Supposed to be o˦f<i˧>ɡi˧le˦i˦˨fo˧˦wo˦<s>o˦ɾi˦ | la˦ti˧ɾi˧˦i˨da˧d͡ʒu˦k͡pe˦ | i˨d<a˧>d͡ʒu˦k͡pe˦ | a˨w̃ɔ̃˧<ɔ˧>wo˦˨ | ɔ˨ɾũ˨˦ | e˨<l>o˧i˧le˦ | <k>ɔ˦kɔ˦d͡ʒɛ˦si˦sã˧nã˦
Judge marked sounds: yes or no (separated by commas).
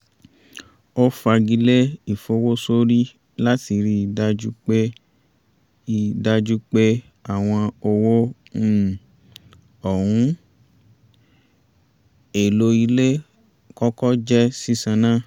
no, yes, yes, no, yes, yes